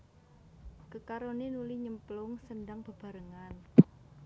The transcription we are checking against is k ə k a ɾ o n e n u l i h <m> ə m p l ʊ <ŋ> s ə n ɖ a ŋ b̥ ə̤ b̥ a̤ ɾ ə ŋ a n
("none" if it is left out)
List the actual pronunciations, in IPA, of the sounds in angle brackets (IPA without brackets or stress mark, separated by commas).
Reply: ɲ, ŋ